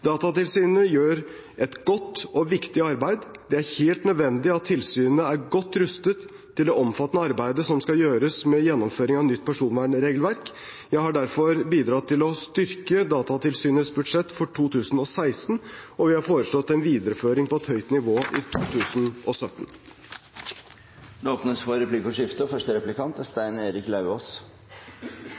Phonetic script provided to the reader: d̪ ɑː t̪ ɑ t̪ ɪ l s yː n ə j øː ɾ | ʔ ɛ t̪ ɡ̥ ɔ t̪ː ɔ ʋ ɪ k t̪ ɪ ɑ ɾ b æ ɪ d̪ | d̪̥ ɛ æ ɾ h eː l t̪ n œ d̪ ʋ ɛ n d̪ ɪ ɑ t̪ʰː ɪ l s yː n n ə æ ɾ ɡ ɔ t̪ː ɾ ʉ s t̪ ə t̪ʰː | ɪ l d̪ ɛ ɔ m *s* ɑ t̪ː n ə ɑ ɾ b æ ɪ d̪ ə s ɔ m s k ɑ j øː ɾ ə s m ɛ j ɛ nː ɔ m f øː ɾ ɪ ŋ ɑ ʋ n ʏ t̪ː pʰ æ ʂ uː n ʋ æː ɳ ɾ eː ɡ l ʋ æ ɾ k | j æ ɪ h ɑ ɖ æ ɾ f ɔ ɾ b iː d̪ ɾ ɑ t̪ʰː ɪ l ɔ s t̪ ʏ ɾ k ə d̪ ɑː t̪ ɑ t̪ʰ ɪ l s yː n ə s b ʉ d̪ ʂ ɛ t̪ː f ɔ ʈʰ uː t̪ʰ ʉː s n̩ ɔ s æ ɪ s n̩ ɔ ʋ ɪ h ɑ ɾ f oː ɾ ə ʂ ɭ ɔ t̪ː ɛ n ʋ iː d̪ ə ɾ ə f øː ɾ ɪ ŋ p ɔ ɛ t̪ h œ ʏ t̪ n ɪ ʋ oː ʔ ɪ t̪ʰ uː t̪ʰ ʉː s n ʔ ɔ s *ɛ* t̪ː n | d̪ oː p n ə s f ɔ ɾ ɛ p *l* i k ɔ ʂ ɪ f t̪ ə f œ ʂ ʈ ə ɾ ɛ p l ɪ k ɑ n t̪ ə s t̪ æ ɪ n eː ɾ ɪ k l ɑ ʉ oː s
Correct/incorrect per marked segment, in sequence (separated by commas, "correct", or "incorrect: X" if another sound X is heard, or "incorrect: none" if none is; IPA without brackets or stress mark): incorrect: f, incorrect: œ, correct